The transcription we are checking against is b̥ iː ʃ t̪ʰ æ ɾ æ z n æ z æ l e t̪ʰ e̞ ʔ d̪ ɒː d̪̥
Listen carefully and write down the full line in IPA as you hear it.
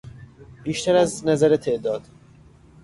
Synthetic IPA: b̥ iː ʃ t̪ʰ æ ɾ æ z n æ z æ ɾ e t̪ʰ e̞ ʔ d̪ ɒː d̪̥